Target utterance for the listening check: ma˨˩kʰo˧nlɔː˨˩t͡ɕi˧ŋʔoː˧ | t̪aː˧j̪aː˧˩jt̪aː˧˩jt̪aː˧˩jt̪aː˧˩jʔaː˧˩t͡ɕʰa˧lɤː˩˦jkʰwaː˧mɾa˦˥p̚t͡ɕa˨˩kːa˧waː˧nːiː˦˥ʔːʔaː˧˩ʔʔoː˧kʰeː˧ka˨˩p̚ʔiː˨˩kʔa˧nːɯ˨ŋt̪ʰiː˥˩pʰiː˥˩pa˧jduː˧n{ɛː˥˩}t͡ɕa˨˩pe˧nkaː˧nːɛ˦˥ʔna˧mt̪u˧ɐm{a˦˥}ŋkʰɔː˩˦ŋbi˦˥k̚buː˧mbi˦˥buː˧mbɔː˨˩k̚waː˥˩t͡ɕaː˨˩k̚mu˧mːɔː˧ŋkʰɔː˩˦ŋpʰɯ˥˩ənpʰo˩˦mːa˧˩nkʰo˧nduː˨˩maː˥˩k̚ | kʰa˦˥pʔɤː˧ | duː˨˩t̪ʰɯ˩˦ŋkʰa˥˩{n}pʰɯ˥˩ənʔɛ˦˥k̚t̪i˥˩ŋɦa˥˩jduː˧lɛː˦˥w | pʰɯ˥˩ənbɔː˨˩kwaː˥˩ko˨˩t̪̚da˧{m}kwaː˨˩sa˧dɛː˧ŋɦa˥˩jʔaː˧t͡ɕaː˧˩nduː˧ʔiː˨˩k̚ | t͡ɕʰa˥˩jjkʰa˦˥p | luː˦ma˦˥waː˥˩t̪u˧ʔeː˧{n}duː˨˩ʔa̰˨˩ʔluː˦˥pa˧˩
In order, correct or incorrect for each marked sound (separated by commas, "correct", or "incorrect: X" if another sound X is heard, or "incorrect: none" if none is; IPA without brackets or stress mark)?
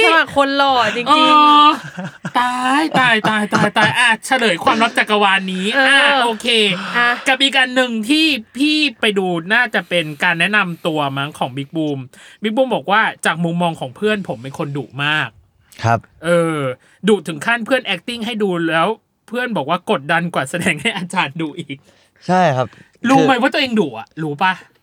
incorrect: aː˥˩, correct, correct, incorrect: n, incorrect: ŋ